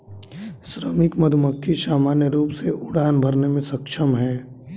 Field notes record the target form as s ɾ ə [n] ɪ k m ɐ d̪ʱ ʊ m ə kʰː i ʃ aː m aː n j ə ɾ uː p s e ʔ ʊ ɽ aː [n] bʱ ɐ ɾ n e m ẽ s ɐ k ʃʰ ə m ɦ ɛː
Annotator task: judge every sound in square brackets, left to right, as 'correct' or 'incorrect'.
incorrect: m, correct

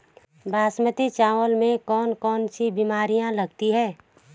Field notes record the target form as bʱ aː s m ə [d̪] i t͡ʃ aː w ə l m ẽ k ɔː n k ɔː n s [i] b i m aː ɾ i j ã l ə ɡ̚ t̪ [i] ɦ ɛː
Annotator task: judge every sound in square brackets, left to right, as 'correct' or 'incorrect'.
incorrect: t̪, correct, correct

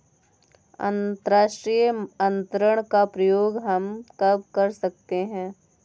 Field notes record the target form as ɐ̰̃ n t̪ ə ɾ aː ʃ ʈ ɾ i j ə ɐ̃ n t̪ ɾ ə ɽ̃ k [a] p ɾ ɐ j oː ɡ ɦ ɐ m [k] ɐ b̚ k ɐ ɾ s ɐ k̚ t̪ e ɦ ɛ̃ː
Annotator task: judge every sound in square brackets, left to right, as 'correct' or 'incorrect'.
correct, correct

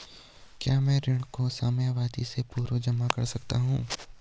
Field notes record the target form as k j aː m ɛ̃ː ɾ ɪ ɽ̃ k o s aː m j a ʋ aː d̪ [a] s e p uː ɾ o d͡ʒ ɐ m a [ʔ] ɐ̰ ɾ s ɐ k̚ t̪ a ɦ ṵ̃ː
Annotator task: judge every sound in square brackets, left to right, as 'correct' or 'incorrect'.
incorrect: i, incorrect: k

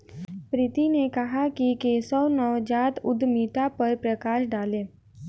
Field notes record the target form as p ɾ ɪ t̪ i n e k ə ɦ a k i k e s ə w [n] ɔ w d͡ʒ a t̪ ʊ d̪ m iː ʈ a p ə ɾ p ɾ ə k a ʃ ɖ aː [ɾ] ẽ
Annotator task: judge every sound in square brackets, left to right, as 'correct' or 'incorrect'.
correct, incorrect: l

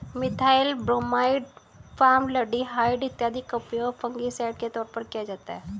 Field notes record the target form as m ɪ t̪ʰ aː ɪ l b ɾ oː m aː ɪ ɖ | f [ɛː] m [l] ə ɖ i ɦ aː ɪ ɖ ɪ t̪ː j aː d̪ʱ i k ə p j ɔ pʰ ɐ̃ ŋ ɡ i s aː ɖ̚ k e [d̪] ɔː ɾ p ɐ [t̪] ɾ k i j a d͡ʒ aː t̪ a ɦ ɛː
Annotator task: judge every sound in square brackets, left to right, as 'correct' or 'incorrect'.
incorrect: aː, correct, incorrect: t̪, incorrect: none

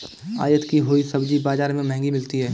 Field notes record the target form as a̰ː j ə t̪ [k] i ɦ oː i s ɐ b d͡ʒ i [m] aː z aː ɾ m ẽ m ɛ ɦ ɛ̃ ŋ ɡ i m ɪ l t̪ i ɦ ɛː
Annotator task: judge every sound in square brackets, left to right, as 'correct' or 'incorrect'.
correct, incorrect: b

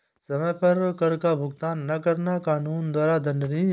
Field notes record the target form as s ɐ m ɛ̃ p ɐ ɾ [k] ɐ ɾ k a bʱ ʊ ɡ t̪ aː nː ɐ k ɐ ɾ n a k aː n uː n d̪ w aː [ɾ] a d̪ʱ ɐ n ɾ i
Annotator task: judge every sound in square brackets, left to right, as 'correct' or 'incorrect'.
correct, correct

